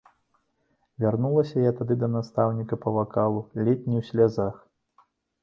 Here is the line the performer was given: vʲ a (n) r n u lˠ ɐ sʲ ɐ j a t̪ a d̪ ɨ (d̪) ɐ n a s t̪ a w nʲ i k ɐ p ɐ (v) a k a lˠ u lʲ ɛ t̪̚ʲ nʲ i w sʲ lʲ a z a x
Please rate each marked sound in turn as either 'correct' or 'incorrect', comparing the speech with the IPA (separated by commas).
incorrect, correct, correct